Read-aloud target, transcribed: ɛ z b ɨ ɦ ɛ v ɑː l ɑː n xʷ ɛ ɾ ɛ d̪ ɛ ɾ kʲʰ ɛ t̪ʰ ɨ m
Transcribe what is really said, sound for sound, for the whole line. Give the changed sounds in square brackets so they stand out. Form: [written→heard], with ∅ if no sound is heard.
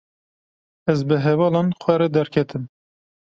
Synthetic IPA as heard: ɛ z b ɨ ɦ ɛ v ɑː l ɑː n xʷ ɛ ɾ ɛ d̪ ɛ ɾ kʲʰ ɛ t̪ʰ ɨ m